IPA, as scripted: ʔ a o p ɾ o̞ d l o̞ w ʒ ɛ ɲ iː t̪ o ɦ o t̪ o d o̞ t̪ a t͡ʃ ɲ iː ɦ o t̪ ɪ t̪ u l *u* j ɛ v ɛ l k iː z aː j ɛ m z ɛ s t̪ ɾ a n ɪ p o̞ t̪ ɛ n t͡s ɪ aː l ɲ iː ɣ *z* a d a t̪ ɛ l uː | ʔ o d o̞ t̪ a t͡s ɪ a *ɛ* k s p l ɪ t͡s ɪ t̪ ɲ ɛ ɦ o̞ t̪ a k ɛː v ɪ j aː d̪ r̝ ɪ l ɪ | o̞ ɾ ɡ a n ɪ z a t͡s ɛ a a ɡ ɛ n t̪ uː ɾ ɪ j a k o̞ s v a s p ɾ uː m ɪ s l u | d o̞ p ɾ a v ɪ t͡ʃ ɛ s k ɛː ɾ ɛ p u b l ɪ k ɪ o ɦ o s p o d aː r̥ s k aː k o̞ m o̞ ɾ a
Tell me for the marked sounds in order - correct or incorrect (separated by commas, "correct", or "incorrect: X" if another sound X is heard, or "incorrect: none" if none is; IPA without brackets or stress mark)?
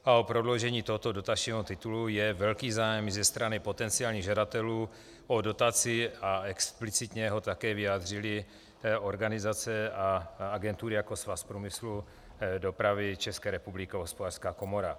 correct, incorrect: ʒ, correct